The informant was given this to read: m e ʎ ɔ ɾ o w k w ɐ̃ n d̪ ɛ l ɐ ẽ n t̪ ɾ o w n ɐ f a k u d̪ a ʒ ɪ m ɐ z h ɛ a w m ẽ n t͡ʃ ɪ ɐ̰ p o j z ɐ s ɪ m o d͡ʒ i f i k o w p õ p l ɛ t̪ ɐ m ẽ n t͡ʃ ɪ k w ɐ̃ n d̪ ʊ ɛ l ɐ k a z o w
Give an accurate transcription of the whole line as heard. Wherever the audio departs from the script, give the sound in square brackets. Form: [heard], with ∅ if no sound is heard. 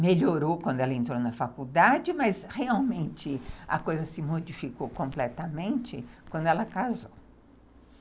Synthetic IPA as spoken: m e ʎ [o] ɾ o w k w ɐ̃ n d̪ ɛ l ɐ ẽ n t̪ ɾ o w n ɐ f a k u d̪ a [d͡ʒ] ɪ m ɐ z h [e] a w m ẽ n t͡ʃ ɪ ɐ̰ [k] o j z ɐ s ɪ m o d͡ʒ i f i k o w [k] õ p l ɛ t̪ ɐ m ẽ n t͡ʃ ɪ k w ɐ̃ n d̪ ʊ ɛ l ɐ k a z o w

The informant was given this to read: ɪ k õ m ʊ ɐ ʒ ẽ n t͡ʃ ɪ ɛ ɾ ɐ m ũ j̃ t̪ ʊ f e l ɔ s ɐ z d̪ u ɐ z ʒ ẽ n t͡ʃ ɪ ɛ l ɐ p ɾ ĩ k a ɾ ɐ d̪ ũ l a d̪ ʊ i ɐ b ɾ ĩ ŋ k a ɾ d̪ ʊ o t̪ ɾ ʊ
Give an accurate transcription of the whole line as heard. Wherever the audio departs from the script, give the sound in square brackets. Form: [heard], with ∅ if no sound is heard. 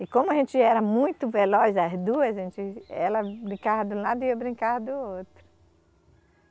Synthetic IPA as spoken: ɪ k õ m ʊ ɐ ʒ ẽ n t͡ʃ ɪ ɛ ɾ ɐ m ũ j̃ t̪ ʊ [v] e l ɔ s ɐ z d̪ u ɐ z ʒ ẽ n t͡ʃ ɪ ɛ l ɐ [b] ɾ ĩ k a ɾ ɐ d̪ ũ l a d̪ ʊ i ɐ b ɾ ĩ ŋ k a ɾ d̪ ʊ o t̪ ɾ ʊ

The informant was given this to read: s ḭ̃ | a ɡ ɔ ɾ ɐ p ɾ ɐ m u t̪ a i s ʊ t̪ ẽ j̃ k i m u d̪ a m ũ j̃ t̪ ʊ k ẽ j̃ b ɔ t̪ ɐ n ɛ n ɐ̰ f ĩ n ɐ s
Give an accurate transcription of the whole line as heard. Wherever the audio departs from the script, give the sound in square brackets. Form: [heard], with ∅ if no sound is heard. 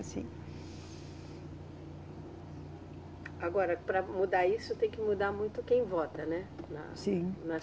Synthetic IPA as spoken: s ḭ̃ | a ɡ ɔ ɾ ɐ p ɾ ɐ m u [d̪] a i s ʊ t̪ ẽ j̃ k [ɪ] m u d̪ a m ũ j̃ t̪ ʊ k ẽ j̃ [v] ɔ t̪ ɐ n ɛ n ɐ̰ [s] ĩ n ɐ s

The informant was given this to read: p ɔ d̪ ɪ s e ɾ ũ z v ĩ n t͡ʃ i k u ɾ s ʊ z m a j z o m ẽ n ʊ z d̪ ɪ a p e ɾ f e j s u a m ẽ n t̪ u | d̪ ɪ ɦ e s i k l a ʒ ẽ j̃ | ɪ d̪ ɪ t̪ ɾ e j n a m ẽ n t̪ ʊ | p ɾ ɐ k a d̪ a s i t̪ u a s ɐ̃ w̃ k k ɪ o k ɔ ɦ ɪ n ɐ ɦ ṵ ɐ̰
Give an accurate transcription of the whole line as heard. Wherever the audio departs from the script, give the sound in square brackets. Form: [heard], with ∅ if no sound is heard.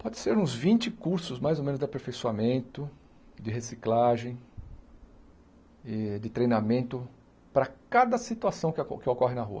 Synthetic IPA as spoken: p ɔ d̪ ɪ s e ɾ ũ z v ĩ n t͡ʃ [ɪ] k u ɾ s ʊ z m a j z o m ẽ n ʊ z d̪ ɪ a p e ɾ f e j s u a m ẽ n t̪ [ʊ] | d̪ ɪ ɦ e s i k l a ʒ ẽ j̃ | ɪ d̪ ɪ t̪ ɾ e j n a m ẽ n t̪ ʊ | p ɾ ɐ k a d̪ [ɐ] s i t̪ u a s ɐ̃ w̃ k k ɪ o k ɔ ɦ ɪ n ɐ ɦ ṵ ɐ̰

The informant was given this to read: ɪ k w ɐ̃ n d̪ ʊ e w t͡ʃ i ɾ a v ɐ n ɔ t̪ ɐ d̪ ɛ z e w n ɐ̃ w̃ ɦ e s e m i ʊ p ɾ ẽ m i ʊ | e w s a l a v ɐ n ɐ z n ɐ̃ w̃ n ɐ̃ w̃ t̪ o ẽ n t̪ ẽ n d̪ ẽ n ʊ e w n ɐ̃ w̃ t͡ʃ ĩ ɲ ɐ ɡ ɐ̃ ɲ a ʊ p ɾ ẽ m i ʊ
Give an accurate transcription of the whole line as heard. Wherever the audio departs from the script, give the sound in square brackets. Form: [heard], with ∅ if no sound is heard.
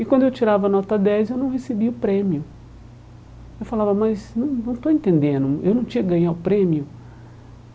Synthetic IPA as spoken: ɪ k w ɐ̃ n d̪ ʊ e w t͡ʃ i ɾ a v ɐ n ɔ t̪ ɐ d̪ ɛ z e w n ɐ̃ w̃ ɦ e s e [b] i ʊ p ɾ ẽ m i ʊ | e w [f] a l a v ɐ [m] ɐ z n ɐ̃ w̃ n ɐ̃ w̃ t̪ o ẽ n t̪ ẽ n d̪ ẽ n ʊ e w n ɐ̃ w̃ t͡ʃ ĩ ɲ ɐ ɡ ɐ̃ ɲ a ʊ p ɾ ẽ m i ʊ

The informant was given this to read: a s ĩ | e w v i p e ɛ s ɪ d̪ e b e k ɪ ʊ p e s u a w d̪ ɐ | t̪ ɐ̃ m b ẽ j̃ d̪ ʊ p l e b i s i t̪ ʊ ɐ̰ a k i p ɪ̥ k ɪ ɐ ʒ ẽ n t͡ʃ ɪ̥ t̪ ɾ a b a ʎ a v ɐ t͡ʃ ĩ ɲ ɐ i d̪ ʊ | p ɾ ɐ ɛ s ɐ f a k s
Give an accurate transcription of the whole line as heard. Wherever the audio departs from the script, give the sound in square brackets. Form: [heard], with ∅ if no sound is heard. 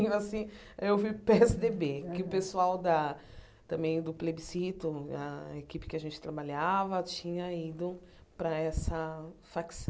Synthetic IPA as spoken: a s ĩ | e w v i p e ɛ s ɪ d̪ e b e k ɪ ʊ p e s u a w d̪ ɐ | t̪ ɐ̃ m b ẽ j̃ d̪ ʊ p l e b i s i t̪ ʊ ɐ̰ [e] k i p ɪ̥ k ɪ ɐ ʒ ẽ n t͡ʃ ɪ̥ t̪ ɾ a b a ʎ a v ɐ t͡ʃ ĩ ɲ ɐ i d̪ ʊ | p ɾ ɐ ɛ s ɐ f a k s

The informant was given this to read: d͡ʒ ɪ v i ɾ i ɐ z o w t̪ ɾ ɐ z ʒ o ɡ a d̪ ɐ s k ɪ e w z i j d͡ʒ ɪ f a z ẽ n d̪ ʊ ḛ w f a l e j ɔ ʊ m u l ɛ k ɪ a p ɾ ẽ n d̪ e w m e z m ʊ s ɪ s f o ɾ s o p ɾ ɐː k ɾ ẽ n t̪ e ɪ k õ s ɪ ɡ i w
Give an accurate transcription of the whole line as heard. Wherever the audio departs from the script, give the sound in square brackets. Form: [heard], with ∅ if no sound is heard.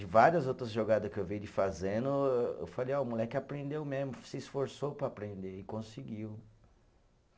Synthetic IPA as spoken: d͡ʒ ɪ v [a] ɾ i ɐ z o w t̪ ɾ ɐ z ʒ o ɡ a d̪ ɐ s k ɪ e w [v] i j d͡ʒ ɪ f a z ẽ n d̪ ʊ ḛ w f a l e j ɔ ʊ m u l ɛ k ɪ a p ɾ ẽ n d̪ e w m e z m ʊ s ɪ s f o ɾ s o p ɾ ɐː [p] ɾ ẽ n [d̪] e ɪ k õ s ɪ ɡ i w

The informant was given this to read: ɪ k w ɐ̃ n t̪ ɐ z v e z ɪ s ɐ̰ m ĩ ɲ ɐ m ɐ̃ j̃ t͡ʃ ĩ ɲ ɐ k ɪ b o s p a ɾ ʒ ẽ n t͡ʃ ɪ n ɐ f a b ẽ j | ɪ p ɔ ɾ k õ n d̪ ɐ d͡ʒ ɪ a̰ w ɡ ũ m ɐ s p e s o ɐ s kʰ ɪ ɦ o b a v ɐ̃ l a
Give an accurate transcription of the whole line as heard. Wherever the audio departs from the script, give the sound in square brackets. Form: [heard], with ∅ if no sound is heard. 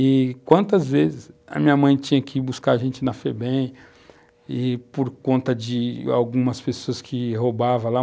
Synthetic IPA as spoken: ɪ k w ɐ̃ n t̪ ɐ z v e z ɪ s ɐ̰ m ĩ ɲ ɐ m ɐ̃ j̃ t͡ʃ ĩ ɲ ɐ k ɪ b [u] s [k] a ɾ ʒ ẽ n t͡ʃ ɪ n ɐ f [e] b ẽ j | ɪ p [o] ɾ k õ n [t̪] ɐ d͡ʒ ɪ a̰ w ɡ ũ m ɐ s p e s o ɐ s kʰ ɪ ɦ o b a v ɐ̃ l a

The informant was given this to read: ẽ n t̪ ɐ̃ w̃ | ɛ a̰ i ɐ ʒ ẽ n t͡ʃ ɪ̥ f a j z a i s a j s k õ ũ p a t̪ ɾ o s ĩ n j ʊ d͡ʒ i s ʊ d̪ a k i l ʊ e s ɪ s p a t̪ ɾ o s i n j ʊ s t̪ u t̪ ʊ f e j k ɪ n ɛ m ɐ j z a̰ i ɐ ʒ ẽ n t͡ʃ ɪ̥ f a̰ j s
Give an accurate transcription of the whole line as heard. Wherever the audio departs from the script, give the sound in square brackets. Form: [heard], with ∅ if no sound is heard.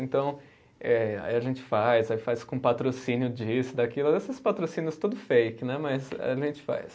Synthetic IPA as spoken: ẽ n t̪ ɐ̃ w̃ | ɛ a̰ i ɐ ʒ ẽ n t͡ʃ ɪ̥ f a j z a i [f] a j s k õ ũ p a t̪ ɾ o s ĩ n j ʊ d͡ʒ i s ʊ d̪ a k i l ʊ e s ɪ s p a t̪ ɾ o s i n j ʊ s t̪ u [d̪] ʊ f e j k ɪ n ɛ m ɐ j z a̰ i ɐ ʒ ẽ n t͡ʃ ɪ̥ f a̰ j s

